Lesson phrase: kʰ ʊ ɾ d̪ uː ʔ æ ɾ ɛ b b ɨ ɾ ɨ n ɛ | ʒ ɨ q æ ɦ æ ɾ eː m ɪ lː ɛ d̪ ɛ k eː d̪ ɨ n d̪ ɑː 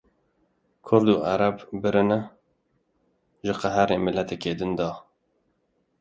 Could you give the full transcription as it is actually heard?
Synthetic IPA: kʰ ʊ ɾ d̪ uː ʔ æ ɾ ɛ b b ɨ ɾ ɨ n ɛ | ʒ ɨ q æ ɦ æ ɾ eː m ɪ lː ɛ t̪ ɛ k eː d̪ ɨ n d̪ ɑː